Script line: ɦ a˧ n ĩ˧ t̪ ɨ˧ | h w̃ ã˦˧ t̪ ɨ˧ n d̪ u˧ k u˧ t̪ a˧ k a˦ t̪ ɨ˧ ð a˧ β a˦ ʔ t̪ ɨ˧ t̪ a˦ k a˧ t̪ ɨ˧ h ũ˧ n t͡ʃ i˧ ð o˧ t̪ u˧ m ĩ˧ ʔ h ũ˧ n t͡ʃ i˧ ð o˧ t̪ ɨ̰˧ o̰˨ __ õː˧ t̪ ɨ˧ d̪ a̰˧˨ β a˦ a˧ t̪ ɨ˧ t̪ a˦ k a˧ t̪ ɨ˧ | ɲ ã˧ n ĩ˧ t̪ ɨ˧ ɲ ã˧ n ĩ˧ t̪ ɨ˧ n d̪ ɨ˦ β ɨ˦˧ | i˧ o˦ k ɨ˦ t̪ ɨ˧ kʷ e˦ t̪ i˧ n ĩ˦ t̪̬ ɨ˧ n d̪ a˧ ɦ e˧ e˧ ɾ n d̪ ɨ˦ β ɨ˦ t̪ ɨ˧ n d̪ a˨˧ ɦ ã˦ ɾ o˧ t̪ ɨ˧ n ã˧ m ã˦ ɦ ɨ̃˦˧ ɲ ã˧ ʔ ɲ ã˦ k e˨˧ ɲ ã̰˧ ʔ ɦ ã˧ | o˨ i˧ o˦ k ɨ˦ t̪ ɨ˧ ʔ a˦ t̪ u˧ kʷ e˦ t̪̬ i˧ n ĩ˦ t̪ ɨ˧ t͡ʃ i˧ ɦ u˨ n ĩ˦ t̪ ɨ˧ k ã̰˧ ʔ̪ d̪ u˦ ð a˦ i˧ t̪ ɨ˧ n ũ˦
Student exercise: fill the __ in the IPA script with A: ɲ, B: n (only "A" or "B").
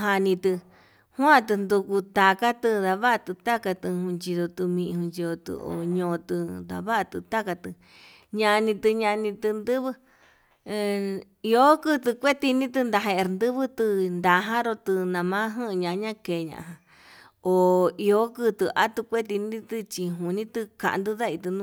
A